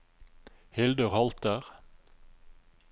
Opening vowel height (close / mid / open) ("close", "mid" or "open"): close